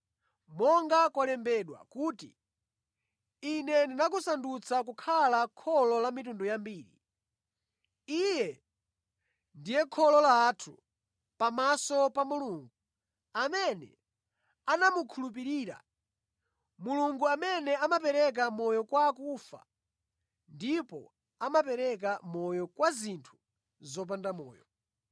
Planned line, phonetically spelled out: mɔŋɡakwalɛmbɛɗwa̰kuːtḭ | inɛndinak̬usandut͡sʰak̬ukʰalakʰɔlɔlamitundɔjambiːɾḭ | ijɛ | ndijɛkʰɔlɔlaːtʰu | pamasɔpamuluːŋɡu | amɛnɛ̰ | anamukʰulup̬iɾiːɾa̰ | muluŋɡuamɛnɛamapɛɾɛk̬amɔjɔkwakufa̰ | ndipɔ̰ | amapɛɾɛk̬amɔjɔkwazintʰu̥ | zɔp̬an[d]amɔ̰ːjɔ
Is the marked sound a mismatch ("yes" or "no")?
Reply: no